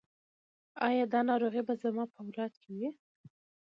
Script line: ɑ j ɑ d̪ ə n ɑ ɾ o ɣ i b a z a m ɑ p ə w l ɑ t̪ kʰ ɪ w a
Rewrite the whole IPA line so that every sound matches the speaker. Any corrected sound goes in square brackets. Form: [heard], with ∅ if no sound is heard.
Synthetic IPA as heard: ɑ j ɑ d̪ [ɑ] n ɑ ɾ o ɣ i b a z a m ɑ p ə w l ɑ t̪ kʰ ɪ w [i]